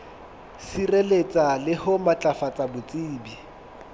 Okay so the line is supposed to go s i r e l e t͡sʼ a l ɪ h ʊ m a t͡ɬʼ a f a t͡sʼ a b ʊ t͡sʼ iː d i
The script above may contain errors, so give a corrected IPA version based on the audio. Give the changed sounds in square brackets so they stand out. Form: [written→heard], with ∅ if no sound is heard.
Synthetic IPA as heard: s i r e l e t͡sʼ a l ɪ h ʊ m a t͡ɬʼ a f a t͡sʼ a b ʊ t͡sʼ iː [d→b] i